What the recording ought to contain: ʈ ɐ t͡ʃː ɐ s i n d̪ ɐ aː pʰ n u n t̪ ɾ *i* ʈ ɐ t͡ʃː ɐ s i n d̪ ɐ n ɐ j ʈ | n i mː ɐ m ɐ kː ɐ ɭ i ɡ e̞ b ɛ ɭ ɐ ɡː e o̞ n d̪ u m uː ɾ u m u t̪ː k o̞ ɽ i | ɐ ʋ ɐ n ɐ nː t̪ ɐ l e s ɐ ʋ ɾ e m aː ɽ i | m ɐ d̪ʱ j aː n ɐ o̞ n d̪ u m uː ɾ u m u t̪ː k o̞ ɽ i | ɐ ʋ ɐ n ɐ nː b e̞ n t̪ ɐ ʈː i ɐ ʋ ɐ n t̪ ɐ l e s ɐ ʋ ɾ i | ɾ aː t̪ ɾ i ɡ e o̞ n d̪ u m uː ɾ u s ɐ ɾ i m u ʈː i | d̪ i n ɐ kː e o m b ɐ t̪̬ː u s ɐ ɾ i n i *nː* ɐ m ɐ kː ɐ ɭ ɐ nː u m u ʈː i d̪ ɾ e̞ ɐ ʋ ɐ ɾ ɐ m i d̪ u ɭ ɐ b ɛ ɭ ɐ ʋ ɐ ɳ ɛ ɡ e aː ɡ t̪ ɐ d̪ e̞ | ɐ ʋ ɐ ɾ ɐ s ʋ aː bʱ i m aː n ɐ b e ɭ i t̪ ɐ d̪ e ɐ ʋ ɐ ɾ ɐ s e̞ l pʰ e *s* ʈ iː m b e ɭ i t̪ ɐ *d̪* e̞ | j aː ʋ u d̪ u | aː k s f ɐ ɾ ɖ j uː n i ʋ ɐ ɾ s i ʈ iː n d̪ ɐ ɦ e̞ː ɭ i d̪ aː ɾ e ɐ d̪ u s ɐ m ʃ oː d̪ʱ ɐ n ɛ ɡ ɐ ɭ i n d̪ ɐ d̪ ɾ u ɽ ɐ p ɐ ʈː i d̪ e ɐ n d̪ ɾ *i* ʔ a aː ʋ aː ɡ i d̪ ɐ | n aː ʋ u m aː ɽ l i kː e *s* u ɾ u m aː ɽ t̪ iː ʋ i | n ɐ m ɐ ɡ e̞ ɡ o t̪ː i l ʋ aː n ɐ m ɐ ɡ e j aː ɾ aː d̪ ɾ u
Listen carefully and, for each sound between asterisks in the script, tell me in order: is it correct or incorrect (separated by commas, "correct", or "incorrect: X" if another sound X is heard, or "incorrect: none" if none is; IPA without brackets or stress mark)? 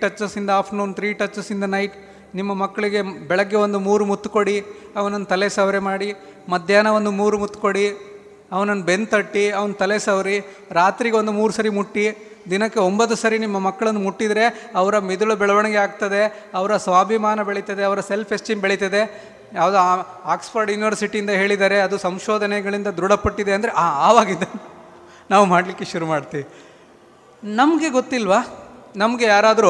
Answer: incorrect: iː, incorrect: mː, correct, correct, incorrect: e, incorrect: ʃ